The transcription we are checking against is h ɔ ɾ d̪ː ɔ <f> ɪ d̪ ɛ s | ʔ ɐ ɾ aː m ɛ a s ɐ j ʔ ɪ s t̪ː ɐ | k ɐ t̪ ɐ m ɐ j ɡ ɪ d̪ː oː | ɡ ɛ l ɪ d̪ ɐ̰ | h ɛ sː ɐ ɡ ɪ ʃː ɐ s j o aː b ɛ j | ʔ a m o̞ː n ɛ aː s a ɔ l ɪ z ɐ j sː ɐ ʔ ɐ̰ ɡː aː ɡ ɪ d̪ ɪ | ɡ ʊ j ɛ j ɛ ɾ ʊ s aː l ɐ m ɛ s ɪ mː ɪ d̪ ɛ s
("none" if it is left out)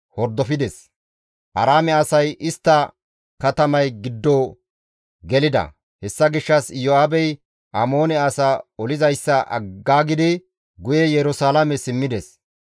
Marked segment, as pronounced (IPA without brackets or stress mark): f